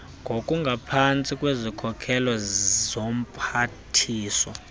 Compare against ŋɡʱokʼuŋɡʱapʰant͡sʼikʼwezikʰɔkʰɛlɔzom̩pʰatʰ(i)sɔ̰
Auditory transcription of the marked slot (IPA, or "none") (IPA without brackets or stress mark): iː